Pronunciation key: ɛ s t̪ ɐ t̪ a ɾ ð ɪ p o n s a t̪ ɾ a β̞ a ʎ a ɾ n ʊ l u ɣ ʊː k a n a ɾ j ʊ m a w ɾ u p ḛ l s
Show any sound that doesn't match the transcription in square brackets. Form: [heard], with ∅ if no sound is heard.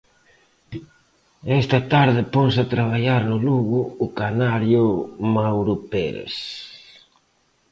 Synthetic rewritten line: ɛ s t̪ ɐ t̪ a ɾ ð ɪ p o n s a t̪ ɾ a β̞ a ʎ a ɾ n ʊ l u ɣ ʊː k a n a ɾ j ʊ m a w ɾ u p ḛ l s

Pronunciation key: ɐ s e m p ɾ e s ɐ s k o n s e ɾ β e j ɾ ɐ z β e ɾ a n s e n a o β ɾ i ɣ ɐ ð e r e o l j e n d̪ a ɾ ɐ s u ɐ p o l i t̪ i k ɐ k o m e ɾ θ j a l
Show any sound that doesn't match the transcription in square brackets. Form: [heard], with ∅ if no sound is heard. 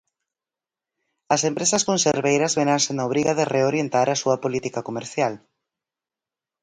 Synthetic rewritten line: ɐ s e m p ɾ e s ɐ s k o n s e ɾ β e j ɾ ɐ z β e ɾ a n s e n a o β ɾ i ɣ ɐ ð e r e o [ɾ] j e n [t̪] a ɾ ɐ s u ɐ p o l i t̪ i k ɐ k o m e ɾ θ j a l

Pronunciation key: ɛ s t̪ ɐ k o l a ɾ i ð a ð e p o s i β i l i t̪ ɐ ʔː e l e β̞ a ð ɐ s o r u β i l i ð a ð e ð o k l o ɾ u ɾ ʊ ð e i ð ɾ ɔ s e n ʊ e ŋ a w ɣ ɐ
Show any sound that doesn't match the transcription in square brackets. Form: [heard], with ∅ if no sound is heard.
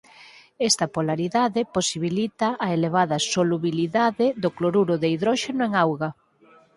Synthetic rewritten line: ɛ s t̪ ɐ [p] o l a ɾ i ð a ð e p o s i β i l i t̪ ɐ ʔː e l e β̞ a ð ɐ s o [l] u β i l i ð a ð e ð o k l o ɾ u ɾ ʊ ð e i ð ɾ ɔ [ʃ] e n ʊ e ŋ a w ɣ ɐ

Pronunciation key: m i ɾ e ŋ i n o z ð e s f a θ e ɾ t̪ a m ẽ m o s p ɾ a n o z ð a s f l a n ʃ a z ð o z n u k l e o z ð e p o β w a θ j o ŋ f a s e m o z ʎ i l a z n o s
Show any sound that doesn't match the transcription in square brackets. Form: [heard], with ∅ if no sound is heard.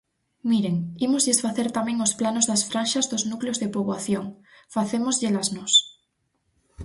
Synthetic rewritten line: m i ɾ e ŋ i [m] o z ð e s f a θ e ɾ t̪ a m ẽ [ŋ] o s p [l] a n o z ð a s f [ɾ] a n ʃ a z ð o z n u k l e o z ð e p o β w a θ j o ŋ f a [θ] e m o z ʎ [e] l a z n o s

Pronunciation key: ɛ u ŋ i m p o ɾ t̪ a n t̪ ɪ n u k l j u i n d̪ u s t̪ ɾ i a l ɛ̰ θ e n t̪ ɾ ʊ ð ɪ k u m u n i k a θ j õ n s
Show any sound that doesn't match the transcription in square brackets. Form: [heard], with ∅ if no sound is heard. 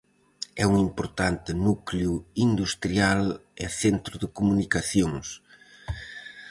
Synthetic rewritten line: ɛ u ŋ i m p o ɾ t̪ a n t̪ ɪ n u k l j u i n d̪ u s t̪ ɾ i a l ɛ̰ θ e n t̪ ɾ ʊ ð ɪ k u m u n i k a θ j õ [ŋ] s

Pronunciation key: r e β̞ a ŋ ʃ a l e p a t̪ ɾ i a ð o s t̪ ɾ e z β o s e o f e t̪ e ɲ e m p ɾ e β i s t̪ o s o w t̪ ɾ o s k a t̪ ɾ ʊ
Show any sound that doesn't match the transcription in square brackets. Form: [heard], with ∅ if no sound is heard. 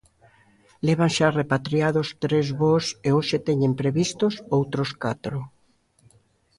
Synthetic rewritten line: [l] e β̞ a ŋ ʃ a [r] e p a t̪ ɾ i a ð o s t̪ ɾ e z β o s e o [ʃ] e t̪ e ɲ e m p ɾ e β i s t̪ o s o w t̪ ɾ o s k a t̪ ɾ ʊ

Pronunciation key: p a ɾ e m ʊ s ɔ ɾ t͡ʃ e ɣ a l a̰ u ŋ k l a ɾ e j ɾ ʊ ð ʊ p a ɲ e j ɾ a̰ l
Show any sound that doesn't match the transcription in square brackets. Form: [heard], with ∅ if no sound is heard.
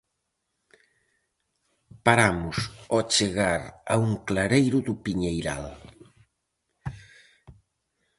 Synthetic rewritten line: p a ɾ [a] m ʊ s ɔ [∅] t͡ʃ e ɣ a [ɾ] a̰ u ŋ k l a ɾ e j ɾ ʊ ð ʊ p [i] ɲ e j ɾ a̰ l

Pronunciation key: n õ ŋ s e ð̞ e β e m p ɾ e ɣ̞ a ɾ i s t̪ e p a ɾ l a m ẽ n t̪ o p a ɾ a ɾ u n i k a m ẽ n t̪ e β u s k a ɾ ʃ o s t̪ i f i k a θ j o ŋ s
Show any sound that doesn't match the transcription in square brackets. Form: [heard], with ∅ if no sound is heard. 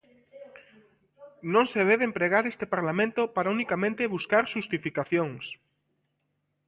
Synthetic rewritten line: n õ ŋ s e ð̞ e β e m p ɾ e ɣ̞ a ɾ [e] s t̪ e p a ɾ l a m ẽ n t̪ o p a ɾ a [∅] u n i k a m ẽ n t̪ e β u s k a ɾ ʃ [u] s t̪ i f i k a θ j o ŋ s

